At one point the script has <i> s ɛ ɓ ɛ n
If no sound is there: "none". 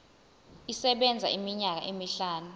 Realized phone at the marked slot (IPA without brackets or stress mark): i